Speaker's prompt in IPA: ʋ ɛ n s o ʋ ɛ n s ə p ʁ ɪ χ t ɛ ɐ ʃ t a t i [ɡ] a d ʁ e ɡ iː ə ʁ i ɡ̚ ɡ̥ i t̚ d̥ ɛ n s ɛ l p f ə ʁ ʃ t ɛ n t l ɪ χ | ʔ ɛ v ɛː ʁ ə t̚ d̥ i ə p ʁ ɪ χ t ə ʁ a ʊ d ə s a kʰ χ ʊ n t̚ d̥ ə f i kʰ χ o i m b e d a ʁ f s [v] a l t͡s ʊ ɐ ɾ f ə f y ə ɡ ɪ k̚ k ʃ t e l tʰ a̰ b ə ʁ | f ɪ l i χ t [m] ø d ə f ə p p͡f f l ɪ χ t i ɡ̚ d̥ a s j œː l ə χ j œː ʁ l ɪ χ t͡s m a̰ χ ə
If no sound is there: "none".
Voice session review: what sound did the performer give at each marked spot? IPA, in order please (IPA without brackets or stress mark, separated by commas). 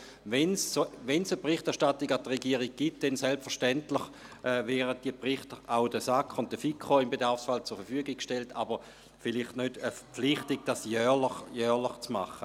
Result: ɡ, f, n